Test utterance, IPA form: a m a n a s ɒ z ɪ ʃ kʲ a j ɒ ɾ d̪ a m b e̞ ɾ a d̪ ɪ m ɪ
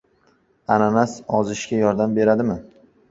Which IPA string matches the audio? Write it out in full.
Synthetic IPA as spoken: a n a n a s ɒ z ɪ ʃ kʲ a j ɒ ɾ d̪ a m b e̞ ɾ a d̪ ɪ m ɪ